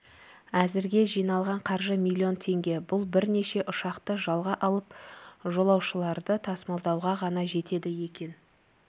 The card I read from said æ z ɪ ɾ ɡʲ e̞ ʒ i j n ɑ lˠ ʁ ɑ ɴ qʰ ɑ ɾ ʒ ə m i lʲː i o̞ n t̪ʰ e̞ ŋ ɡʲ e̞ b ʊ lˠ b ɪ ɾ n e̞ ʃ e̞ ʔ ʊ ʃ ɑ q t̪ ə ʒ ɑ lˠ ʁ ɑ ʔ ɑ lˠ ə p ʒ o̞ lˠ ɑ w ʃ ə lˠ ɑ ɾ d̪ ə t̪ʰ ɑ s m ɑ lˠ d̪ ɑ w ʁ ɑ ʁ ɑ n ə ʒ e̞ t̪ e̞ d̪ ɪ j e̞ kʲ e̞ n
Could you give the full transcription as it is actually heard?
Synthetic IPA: æ z ɪ ɾ ɡʲ e̞ ʒ i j n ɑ lˠ ʁ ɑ ɴ qʰ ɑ ɾ ʒ ə m i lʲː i o̞ n t̪ʰ e̞ ŋ ɡʲ e̞ b ʊ lˠ b ɪ ɾ n e̞ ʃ e̞ ʔ ʊ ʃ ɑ q t̪ ə ʒ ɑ lˠ ʁ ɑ ʔ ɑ lˠ ə p ʒ o̞ lˠ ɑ w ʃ ə lˠ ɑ ɾ d̪ ə t̪ʰ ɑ s m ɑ lˠ d̪ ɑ w ʁ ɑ ʁ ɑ n ɑ ʒ e̞ t̪ e̞ d̪ ɪ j e̞ kʲ e̞ n